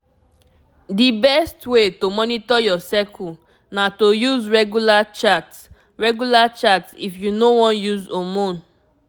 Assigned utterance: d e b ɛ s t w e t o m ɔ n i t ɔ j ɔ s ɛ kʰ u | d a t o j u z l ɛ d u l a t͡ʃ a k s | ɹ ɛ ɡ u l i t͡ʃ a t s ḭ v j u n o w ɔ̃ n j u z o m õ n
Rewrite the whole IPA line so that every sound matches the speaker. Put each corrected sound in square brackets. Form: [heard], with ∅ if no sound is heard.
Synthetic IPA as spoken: d [i] b ɛ s t w e t o m ɔ n i t ɔ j ɔ s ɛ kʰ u | [n] a t o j u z [ɹ] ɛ [ɡ] u l a t͡ʃ a [t] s | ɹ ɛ ɡ u l [a] t͡ʃ a t s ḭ [f] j u n o w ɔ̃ n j u z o m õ n